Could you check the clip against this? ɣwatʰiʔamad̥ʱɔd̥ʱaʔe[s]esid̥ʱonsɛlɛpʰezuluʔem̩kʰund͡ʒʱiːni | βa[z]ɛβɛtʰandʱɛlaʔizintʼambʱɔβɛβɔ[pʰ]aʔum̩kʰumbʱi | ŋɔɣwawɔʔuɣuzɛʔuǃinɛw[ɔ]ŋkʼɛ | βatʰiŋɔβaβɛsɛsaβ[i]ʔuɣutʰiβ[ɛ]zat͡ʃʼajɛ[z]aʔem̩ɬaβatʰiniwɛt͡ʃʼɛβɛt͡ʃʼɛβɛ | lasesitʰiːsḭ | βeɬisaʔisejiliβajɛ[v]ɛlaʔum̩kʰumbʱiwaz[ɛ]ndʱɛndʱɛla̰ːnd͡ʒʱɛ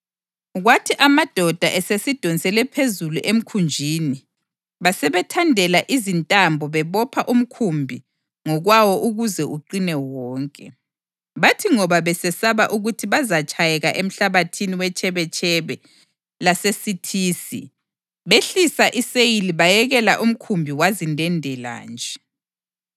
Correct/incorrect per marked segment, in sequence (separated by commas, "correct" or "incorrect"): correct, incorrect, correct, incorrect, incorrect, incorrect, incorrect, incorrect, incorrect